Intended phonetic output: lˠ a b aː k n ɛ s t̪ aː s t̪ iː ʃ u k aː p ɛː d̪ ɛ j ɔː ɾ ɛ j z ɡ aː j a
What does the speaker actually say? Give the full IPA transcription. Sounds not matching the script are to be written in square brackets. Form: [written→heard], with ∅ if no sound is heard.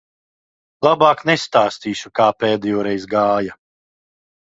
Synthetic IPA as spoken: lˠ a b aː k n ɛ s t̪ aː s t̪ iː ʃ u k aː p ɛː d̪ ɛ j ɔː ɾ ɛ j z ɡ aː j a